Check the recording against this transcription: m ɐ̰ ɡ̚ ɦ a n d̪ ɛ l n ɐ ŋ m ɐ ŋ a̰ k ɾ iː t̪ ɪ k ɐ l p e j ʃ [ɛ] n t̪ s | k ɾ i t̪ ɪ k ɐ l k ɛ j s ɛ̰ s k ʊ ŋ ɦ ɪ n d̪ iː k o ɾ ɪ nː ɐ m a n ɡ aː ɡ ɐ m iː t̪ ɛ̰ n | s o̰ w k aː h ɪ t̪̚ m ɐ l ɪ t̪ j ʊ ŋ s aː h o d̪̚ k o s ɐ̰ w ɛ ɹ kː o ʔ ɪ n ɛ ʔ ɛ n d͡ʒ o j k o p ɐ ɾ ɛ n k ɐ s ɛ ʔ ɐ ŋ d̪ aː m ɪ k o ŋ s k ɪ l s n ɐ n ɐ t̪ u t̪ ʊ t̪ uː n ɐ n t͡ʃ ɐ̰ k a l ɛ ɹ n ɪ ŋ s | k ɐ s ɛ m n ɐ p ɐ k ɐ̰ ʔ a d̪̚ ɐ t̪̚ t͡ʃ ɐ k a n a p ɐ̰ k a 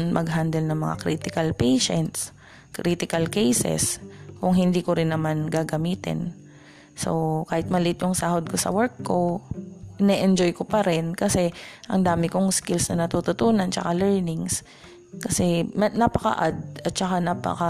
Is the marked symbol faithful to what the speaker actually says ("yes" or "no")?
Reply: yes